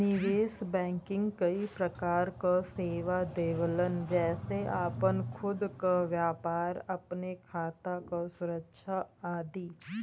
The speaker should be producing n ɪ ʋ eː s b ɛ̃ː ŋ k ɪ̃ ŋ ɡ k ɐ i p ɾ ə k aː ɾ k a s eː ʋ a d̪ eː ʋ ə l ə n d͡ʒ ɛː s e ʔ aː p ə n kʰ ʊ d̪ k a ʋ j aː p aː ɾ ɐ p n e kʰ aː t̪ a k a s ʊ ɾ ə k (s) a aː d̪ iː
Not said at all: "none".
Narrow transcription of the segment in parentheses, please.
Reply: ʃ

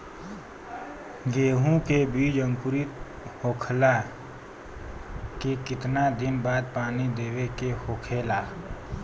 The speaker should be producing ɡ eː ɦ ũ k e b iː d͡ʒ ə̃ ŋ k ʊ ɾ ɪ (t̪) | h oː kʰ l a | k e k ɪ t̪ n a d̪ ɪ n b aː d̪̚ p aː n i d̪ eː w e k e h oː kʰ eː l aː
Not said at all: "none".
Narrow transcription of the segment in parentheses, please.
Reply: t̪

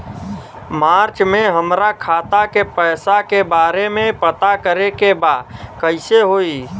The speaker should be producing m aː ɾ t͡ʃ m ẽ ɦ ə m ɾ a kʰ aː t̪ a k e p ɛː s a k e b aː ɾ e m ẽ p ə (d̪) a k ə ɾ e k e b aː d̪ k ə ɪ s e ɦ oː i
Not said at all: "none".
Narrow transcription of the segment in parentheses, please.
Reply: t̪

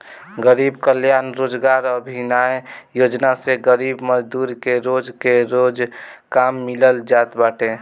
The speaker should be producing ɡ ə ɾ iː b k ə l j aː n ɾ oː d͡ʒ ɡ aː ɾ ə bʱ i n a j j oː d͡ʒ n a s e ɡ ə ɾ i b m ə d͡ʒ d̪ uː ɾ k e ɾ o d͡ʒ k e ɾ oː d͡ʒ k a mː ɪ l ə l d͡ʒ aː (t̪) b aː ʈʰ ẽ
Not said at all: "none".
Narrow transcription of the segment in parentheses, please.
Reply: t̪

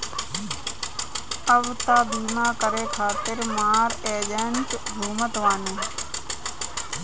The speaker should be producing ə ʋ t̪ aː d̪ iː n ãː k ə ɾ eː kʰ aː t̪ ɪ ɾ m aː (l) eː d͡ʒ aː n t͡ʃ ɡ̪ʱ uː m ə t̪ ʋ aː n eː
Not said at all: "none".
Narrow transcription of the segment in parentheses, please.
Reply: ɾ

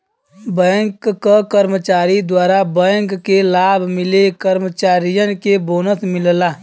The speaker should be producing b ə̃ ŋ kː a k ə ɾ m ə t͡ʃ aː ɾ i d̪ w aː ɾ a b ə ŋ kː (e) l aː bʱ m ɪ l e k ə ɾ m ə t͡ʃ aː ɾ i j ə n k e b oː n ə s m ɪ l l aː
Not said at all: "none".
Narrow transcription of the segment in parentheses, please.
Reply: e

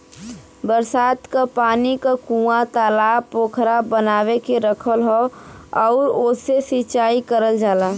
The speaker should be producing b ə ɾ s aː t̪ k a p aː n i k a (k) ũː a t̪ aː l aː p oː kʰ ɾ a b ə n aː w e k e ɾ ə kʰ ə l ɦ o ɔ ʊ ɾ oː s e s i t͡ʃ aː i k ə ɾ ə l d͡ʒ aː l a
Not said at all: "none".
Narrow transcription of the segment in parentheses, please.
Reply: k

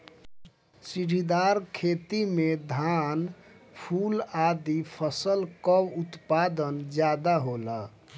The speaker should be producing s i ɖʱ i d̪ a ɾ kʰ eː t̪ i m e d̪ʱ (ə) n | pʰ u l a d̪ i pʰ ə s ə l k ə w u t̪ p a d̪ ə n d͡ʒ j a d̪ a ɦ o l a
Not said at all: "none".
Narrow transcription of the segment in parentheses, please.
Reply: a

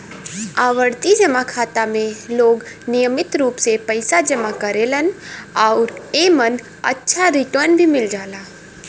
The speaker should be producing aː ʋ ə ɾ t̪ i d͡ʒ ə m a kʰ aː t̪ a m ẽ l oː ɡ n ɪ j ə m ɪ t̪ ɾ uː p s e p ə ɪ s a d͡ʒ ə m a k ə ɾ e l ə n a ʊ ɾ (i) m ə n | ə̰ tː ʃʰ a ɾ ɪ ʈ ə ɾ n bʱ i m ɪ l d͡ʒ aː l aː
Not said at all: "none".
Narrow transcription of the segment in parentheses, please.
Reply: e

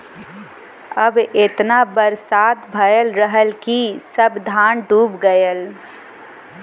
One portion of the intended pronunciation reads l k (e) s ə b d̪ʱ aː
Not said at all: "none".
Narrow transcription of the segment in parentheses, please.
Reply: i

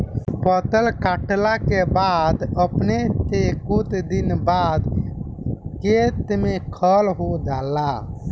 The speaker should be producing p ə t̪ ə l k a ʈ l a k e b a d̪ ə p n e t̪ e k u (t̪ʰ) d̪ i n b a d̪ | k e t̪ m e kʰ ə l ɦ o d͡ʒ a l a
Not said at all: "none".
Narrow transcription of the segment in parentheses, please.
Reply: t̪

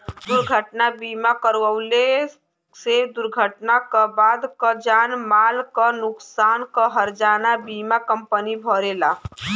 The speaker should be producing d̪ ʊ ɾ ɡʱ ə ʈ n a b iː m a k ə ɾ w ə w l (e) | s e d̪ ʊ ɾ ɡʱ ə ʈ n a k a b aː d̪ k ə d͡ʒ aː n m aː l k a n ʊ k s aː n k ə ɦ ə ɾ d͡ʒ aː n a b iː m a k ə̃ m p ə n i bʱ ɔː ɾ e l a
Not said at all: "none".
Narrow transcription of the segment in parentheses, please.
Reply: e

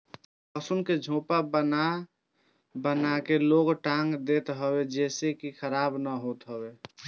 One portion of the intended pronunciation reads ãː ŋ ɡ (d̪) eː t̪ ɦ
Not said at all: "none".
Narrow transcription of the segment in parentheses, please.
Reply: d̪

